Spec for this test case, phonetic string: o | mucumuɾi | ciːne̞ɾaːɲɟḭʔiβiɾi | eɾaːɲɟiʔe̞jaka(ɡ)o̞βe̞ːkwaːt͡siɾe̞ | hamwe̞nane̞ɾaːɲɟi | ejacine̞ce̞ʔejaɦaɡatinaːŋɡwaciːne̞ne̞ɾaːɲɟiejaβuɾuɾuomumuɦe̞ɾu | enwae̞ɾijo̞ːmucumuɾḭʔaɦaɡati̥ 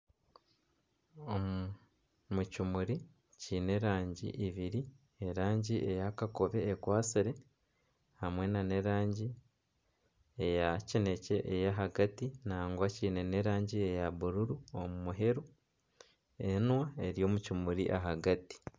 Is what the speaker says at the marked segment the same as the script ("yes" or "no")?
no